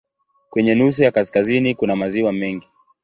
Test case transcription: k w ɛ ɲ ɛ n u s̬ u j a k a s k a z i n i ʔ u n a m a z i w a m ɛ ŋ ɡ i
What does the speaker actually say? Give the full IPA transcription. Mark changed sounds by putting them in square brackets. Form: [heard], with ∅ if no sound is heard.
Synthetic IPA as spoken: k w ɛ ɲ ɛ n u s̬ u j a k a s k a z i n i [k] u n a m a z i w a m ɛ ŋ ɡ i